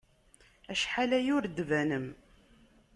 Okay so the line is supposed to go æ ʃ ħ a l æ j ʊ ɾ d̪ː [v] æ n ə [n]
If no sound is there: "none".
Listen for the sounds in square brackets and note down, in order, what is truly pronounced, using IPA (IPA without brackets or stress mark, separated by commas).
v, m